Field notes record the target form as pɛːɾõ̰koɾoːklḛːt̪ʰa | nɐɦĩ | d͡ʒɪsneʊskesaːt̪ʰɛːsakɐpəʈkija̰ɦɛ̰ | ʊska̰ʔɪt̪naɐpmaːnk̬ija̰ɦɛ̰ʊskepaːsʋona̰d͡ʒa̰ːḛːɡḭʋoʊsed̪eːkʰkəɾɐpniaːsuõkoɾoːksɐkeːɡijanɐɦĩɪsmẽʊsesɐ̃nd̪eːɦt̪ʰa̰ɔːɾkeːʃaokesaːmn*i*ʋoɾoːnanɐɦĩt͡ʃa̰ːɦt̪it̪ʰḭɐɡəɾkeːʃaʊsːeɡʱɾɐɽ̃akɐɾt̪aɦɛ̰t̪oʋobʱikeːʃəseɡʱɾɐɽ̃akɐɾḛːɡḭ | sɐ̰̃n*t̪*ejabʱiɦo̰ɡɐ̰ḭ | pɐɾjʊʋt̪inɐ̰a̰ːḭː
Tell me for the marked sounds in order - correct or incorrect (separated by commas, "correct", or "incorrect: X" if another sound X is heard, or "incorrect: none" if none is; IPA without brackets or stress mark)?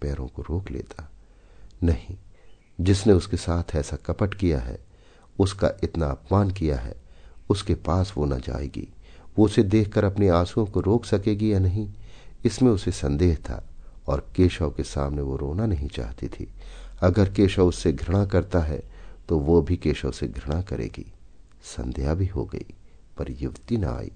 incorrect: e, incorrect: d̪